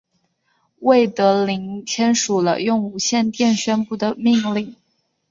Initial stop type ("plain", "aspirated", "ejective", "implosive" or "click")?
plain